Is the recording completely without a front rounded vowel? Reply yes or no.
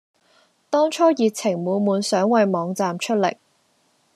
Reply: no